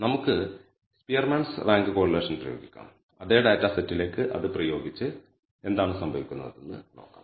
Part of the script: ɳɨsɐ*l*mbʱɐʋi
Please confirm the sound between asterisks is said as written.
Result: no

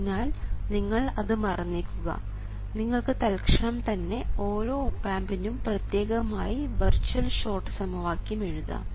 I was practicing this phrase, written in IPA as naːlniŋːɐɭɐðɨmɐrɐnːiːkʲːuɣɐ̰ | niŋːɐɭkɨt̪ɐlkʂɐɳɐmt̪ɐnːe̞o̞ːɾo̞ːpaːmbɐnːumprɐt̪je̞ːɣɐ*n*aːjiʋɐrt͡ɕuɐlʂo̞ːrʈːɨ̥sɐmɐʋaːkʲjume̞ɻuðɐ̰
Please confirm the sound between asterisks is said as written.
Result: no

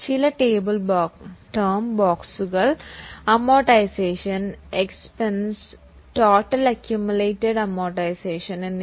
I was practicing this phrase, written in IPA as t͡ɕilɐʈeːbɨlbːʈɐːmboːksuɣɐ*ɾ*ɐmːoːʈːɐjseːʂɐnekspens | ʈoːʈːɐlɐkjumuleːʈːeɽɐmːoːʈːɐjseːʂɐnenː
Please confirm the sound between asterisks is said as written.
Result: no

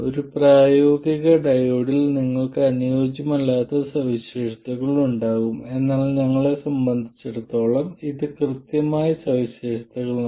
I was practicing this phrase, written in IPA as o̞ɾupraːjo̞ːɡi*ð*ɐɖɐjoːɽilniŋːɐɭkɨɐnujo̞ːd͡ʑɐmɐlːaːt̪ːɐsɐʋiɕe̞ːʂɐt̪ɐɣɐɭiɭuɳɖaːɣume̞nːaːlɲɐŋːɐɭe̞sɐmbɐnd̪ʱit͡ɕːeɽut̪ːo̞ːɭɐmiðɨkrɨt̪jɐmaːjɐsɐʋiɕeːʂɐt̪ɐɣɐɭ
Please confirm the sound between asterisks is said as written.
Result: no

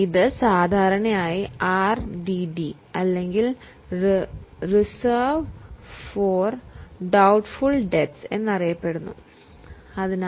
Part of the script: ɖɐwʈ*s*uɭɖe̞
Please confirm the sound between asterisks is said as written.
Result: no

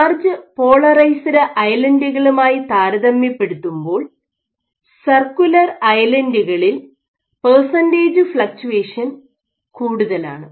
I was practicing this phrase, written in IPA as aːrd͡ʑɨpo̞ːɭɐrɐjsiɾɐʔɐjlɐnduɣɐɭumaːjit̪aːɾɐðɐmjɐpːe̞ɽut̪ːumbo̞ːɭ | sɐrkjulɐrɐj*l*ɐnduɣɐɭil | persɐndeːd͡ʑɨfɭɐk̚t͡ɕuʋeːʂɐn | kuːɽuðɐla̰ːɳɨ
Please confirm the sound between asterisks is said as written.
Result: yes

